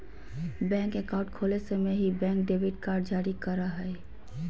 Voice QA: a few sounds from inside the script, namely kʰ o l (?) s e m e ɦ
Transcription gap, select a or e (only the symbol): e